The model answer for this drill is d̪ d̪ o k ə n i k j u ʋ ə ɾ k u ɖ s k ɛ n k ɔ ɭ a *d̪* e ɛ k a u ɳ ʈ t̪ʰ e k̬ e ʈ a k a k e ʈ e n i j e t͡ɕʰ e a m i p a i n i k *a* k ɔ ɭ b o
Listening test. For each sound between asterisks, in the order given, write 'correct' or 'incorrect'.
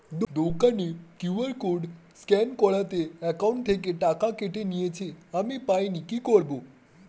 incorrect, incorrect

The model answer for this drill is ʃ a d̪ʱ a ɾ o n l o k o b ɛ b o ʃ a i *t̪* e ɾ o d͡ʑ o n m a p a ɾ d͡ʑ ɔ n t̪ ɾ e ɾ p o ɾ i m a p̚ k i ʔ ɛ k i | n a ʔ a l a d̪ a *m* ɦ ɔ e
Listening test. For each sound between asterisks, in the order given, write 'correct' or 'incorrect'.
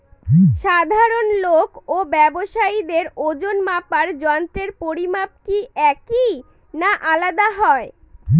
incorrect, incorrect

